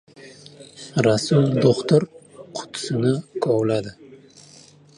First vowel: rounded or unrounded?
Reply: unrounded